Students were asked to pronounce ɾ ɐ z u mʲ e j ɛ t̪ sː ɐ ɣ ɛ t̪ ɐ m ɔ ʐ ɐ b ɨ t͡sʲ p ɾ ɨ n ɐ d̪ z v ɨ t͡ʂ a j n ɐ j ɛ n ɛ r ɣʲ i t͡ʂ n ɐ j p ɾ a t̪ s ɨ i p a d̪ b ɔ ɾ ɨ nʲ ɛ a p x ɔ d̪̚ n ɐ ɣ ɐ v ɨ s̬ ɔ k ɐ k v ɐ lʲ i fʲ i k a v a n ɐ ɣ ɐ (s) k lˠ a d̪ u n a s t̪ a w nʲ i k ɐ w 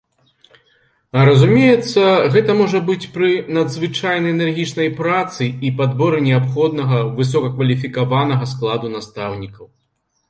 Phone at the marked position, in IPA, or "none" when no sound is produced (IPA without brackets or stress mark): s